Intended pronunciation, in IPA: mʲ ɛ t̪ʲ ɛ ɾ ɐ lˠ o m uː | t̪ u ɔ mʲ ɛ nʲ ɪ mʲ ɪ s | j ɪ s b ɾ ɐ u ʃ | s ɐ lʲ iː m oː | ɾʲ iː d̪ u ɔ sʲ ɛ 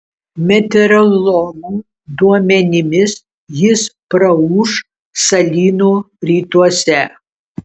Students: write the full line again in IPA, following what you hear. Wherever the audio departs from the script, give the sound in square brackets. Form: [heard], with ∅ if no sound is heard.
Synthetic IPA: mʲ ɛ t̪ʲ ɛ ɾ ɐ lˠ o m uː | [d̪] u ɔ mʲ ɛ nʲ ɪ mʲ ɪ s | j ɪ s [p] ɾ ɐ u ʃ | s ɐ lʲ iː [n] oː | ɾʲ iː [t̪] u ɔ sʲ ɛ

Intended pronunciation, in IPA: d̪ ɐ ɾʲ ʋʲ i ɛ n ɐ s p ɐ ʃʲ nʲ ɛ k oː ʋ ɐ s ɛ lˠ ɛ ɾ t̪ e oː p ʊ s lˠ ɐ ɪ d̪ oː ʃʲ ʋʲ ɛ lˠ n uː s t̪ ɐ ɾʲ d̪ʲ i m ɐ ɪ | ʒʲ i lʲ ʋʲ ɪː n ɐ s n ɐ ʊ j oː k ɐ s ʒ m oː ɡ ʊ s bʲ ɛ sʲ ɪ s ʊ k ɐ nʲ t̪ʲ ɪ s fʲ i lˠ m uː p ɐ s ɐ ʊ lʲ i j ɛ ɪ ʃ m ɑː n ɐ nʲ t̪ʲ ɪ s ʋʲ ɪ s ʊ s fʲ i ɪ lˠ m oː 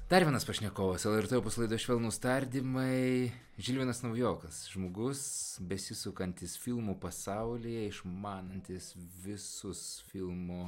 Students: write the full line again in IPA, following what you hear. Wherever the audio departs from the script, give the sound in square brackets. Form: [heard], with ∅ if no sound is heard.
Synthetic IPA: d̪ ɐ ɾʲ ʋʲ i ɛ n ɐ s p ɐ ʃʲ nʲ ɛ k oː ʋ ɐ s ɛ lˠ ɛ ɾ t̪ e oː p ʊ s lˠ ɐ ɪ d̪ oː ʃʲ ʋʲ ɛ lˠ n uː s t̪ ɐ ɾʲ d̪ʲ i m ɐ ɪ | ʒʲ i lʲ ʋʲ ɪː n ɐ s n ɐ ʊ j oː k ɐ s ʒ m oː ɡ ʊ s bʲ ɛ sʲ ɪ s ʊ k ɐ nʲ t̪ʲ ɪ s fʲ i lˠ m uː p ɐ s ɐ ʊ lʲ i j ɛ ɪ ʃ m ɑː n ɐ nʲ t̪ʲ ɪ s ʋʲ ɪ s ʊ s fʲ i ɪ lˠ m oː

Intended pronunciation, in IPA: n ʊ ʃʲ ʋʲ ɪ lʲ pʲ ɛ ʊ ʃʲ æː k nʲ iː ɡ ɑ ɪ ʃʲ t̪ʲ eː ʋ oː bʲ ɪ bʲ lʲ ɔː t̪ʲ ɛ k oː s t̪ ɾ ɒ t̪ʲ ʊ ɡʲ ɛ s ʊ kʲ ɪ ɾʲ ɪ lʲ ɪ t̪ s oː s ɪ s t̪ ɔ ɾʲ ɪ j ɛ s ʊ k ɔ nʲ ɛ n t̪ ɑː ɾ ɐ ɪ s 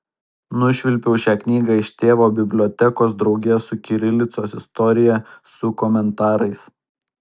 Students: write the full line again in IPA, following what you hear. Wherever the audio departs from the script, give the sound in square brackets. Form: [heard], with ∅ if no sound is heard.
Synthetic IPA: n ʊ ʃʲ ʋʲ ɪ lʲ pʲ ɛ ʊ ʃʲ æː k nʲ iː ɡ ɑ ɪ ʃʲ t̪ʲ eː ʋ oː bʲ ɪ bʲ lʲ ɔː t̪ʲ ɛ k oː s [d̪] ɾ ɒ [∅] ʊ ɡʲ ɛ s ʊ kʲ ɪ ɾʲ ɪ lʲ ɪ t̪ s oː s ɪ s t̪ ɔ ɾʲ ɪ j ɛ s ʊ k ɔ [mʲ] ɛ n t̪ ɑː ɾ ɐ ɪ s

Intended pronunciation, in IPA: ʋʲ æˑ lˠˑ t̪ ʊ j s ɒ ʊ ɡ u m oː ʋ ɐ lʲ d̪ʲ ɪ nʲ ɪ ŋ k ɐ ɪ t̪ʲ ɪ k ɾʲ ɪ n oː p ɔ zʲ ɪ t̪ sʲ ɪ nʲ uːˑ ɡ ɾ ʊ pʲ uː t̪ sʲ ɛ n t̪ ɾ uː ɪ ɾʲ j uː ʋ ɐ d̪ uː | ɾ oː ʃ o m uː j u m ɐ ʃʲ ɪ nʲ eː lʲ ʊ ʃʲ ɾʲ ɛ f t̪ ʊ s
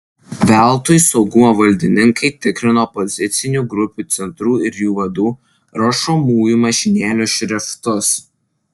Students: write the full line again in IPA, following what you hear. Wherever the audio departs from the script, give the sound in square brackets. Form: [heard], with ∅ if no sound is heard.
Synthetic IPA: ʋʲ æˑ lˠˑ t̪ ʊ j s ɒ ʊ ɡ [ʊ] m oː ʋ ɐ lʲ d̪ʲ ɪ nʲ ɪ ŋ k ɐ ɪ t̪ʲ ɪ k ɾʲ ɪ n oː p ɔ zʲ ɪ t̪ sʲ ɪ nʲ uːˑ ɡ ɾ ʊ pʲ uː t̪ sʲ ɛ n t̪ ɾ uː ɪ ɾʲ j uː ʋ ɐ d̪ uː | ɾ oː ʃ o m uː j u m ɐ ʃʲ ɪ nʲ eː lʲ ʊ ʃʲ ɾʲ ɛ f t̪ ʊ s

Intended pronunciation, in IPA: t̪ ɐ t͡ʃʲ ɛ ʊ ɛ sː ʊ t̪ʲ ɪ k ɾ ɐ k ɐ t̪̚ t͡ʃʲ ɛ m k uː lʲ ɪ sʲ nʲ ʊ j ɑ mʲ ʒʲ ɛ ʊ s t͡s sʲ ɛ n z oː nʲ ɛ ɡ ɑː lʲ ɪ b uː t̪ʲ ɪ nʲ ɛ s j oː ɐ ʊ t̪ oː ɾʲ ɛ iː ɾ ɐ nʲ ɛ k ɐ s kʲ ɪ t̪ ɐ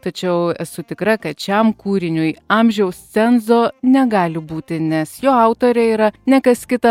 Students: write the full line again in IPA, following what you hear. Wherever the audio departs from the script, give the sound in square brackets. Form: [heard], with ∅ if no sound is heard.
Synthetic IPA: t̪ ɐ t͡ʃʲ ɛ ʊ ɛ [s] ʊ t̪ʲ ɪ k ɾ ɐ k ɐ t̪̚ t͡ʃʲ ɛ m k uː [ɾʲ] ɪ [∅] nʲ ʊ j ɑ mʲ ʒʲ ɛ ʊ s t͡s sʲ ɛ n z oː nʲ ɛ ɡ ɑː lʲ ɪ b uː t̪ʲ ɪ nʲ ɛ s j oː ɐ ʊ t̪ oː ɾʲ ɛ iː ɾ ɐ nʲ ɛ k ɐ s kʲ ɪ t̪ ɐ

